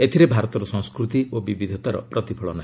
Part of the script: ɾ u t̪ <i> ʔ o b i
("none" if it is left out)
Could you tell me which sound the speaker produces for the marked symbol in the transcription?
i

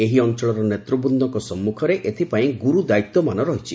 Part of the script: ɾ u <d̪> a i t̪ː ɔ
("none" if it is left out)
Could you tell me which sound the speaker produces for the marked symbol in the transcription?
d̪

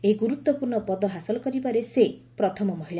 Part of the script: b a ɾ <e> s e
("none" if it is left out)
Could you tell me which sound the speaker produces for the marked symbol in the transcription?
e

